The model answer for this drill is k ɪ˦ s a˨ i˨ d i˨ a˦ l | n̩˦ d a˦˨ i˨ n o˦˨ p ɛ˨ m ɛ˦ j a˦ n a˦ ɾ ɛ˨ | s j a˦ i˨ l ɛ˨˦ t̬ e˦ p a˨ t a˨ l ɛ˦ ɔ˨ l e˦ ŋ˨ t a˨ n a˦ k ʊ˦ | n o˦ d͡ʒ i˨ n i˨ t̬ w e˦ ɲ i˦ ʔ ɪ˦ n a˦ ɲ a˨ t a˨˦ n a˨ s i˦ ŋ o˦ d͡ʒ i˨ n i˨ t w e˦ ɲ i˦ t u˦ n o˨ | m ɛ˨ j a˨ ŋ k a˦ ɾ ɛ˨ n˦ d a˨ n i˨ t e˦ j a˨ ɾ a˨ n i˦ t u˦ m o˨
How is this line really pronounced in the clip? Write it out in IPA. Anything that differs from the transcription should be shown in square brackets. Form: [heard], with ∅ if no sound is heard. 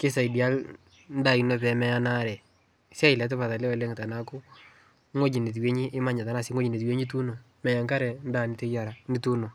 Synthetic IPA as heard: k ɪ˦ s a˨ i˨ d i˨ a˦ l | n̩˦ d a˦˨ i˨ n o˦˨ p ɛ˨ m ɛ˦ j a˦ n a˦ ɾ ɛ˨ | s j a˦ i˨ l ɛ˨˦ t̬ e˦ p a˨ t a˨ l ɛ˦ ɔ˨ l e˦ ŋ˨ t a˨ n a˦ k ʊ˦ | [ŋ] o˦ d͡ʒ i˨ n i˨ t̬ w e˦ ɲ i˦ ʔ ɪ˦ [m] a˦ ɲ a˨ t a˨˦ n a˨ s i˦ ŋ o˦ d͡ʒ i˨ n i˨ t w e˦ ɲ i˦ t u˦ n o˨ | m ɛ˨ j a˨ ŋ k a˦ ɾ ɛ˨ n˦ d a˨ n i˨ t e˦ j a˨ ɾ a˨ n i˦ t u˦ [n] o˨

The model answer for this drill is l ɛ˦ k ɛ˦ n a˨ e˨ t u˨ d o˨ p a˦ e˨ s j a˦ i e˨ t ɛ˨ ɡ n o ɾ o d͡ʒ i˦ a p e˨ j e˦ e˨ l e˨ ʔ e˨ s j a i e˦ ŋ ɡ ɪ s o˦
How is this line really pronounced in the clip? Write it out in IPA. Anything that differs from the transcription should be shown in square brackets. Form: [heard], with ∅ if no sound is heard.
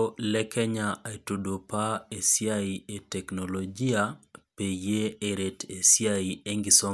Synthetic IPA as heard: l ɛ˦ k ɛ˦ [ɲ] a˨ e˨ t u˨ d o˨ p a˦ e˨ s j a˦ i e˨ t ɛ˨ [k] n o [l] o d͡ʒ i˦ a p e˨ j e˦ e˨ [ɾ] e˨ [t] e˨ s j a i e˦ ŋ ɡ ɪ s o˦

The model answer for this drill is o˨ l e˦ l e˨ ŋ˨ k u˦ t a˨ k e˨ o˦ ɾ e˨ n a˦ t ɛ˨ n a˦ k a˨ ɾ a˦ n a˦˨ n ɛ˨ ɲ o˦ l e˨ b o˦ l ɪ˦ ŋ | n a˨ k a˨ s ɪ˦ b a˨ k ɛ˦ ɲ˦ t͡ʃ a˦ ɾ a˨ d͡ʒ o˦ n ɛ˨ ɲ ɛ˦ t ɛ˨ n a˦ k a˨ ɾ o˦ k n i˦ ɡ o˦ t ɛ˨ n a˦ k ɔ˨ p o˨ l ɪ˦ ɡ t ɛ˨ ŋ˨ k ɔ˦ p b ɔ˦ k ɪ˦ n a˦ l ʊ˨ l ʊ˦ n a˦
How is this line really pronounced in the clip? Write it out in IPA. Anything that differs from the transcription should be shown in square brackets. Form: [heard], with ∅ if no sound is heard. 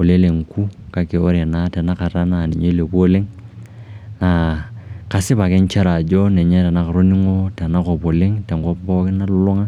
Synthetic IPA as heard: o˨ l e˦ l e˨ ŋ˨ k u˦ [k] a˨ k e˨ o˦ ɾ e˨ n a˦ t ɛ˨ n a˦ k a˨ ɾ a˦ n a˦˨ n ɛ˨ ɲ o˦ l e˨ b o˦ l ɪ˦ ŋ | n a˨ k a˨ s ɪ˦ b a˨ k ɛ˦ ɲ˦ t͡ʃ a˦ ɾ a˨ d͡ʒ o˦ n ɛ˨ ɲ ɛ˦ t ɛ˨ n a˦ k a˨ ɾ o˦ [∅] n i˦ [ŋ] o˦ t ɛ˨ n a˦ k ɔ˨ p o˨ l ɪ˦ [ŋ] t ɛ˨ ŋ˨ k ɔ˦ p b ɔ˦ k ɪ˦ n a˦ l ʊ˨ l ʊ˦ [ŋ] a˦

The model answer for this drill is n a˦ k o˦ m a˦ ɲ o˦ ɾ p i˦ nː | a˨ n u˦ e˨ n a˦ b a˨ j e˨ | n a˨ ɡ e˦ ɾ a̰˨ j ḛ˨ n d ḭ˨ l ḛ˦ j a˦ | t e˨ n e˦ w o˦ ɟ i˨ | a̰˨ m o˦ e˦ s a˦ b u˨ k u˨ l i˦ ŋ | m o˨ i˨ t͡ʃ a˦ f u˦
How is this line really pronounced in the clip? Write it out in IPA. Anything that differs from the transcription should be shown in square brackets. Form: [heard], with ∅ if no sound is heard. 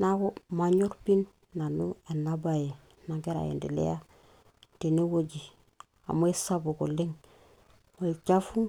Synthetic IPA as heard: n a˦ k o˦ m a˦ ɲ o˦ ɾ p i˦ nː | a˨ n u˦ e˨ n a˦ b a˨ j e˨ | n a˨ ɡ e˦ ɾ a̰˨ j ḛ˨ n d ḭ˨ l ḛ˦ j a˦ | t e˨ n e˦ w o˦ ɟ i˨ | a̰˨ m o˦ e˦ s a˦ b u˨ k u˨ l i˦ ŋ | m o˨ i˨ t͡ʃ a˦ f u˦

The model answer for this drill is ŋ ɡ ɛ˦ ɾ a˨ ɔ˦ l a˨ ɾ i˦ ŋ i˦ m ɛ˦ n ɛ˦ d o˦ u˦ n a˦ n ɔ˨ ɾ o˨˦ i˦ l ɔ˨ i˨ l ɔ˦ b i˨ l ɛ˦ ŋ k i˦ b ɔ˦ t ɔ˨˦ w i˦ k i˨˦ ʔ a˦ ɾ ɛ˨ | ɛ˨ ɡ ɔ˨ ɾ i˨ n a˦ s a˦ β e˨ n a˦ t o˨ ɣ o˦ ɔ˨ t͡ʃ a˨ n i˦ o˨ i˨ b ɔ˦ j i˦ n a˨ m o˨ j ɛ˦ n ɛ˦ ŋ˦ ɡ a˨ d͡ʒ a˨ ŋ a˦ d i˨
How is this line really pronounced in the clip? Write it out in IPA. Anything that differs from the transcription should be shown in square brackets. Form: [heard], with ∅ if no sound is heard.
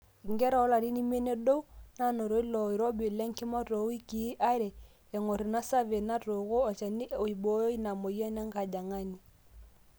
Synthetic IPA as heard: ŋ ɡ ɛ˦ ɾ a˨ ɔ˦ l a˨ ɾ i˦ [n] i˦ m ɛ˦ n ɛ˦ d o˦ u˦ n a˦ n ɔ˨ ɾ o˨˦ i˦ l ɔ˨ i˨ [ɾ] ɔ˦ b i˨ l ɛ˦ ŋ k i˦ [m] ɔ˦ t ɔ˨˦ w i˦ k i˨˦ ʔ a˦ ɾ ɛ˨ | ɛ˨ [ŋ] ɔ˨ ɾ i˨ n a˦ s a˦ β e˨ n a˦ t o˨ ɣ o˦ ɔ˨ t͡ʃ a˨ n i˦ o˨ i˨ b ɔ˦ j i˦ n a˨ m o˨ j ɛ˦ n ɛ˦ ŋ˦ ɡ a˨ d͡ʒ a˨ ŋ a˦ [n] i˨

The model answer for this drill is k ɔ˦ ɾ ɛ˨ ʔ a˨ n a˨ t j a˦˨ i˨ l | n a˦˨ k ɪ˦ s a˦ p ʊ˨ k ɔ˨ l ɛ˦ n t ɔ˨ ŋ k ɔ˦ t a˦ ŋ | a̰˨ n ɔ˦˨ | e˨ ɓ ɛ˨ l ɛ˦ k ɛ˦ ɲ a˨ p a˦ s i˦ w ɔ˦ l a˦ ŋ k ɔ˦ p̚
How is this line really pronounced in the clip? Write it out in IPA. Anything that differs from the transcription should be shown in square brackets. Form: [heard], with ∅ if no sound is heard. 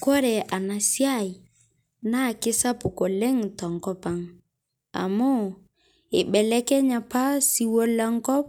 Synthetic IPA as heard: k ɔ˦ ɾ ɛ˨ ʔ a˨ n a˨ [s] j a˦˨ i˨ [∅] | n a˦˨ k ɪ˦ s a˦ p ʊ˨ k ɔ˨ l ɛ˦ [ŋ] t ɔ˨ ŋ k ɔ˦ [p] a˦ ŋ | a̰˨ [m] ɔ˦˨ | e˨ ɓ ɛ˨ l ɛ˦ k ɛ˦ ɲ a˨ p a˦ s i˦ w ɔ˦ l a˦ ŋ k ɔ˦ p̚

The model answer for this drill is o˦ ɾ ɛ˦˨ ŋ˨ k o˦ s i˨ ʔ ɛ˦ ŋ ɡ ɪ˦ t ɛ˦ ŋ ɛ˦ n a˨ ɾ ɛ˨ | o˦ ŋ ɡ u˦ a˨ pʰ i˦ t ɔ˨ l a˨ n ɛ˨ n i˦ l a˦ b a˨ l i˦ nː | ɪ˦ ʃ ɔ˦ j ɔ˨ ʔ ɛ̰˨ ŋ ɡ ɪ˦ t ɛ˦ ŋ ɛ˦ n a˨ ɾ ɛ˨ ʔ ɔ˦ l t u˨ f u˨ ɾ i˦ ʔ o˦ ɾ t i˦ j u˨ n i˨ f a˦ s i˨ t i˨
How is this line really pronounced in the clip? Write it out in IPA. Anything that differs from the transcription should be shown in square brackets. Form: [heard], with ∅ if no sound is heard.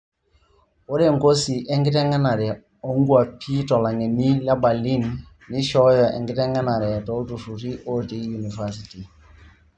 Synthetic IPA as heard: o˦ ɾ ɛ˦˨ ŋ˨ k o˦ s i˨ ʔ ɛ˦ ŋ ɡ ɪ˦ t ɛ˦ ŋ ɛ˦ n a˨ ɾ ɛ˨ | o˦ ŋ ɡ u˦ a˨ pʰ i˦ t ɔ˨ l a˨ [ŋ] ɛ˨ n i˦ l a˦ b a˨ l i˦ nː | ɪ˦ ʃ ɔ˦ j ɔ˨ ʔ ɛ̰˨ ŋ ɡ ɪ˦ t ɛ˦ ŋ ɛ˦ n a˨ ɾ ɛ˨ [t] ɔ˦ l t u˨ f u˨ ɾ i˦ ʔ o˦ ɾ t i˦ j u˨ n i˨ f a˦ s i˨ t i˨

